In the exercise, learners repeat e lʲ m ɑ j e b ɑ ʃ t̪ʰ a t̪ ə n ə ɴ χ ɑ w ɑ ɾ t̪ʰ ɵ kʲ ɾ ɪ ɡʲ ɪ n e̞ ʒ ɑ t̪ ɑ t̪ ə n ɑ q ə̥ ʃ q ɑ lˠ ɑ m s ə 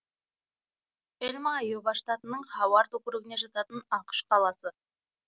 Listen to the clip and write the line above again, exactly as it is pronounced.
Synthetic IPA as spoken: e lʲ m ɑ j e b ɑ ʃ t̪ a t̪ ə n ə ɴ χ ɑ w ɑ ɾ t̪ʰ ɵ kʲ ɾ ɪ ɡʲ ɪ n e̞ ʒ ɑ t̪ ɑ t̪ ə n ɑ q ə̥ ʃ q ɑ lˠ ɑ s ə